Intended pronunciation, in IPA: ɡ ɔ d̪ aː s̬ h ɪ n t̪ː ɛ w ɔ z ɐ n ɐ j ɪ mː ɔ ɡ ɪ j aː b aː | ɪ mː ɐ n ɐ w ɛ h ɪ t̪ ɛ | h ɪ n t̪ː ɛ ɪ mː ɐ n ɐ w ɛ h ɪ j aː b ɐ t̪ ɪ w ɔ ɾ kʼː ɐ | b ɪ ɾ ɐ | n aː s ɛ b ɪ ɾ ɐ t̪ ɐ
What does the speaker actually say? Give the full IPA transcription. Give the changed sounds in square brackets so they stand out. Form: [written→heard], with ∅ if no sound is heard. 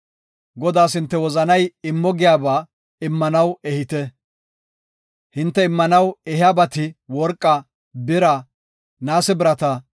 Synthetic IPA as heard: ɡ ɔ d̪ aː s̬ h ɪ n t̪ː ɛ w ɔ z ɐ n ɐ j ɪ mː ɔ ɡ ɪ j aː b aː | ɪ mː ɐ n ɐ w ɛ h ɪ t̪ ɛ | h ɪ n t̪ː ɛ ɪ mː ɐ n ɐ w ɛ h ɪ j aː b ɐ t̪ ɪ w ɔ ɾ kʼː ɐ | b ɪ ɾ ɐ | n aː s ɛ b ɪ ɾ ɐ t̪ ɐ